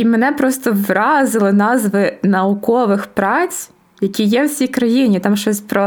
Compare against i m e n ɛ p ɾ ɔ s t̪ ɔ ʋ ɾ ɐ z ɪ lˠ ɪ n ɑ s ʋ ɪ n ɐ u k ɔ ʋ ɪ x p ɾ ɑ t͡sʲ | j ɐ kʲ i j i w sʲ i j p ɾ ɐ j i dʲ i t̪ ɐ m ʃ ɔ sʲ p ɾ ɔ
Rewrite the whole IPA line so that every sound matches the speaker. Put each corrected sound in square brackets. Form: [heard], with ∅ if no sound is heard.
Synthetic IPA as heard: i m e n ɛ p ɾ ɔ s t̪ ɔ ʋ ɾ [ɑ] z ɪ lˠ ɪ n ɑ [z] ʋ ɪ n ɐ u k ɔ ʋ ɪ x p ɾ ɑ t͡sʲ | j ɐ kʲ i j [ɛ] w sʲ i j [k] ɾ ɐ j i [nʲ] i t̪ [ɑ] m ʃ ɔ sʲ p ɾ ɔ